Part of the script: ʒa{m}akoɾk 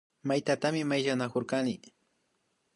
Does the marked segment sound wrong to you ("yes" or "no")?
yes